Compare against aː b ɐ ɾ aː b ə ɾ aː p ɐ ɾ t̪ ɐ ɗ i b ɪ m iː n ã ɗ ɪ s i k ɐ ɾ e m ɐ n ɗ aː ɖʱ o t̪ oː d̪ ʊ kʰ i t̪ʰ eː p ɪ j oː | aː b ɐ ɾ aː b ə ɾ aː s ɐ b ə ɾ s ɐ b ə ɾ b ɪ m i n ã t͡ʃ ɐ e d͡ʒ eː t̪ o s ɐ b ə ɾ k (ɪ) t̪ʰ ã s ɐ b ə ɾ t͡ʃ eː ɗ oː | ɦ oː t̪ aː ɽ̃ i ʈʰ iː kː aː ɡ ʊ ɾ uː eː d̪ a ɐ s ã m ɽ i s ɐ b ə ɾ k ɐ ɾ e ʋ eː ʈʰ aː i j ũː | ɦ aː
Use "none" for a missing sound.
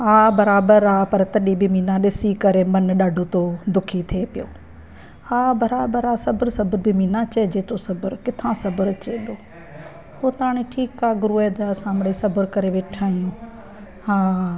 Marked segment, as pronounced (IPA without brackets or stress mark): ɪ